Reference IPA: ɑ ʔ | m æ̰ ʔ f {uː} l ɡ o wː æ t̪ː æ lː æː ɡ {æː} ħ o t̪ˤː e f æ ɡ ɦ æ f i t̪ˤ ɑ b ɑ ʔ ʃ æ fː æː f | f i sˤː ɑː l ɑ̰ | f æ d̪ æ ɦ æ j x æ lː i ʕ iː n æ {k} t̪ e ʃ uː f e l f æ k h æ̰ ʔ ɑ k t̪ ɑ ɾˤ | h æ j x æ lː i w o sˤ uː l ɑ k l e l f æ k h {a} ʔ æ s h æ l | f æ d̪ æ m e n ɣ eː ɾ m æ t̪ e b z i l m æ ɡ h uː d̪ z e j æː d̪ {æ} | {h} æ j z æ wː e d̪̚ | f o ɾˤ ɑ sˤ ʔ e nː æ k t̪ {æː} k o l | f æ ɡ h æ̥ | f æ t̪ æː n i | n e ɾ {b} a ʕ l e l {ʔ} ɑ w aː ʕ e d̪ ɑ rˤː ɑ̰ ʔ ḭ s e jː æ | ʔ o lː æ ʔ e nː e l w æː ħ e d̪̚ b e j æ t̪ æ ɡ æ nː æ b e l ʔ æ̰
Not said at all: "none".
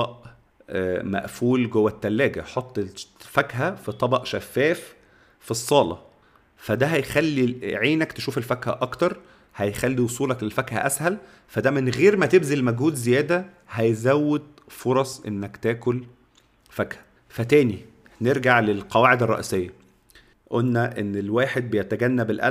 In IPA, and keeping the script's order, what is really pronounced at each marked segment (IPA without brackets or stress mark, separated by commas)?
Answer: uː, æ, k, æ, æ, h, æː, ɡ, q